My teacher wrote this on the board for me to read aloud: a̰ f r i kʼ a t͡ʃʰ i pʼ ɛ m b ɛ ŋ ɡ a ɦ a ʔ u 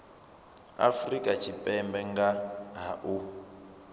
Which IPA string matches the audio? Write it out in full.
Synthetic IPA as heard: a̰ f r i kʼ a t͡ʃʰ i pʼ ɛ m b ɛ ŋ ɡ a ɦ a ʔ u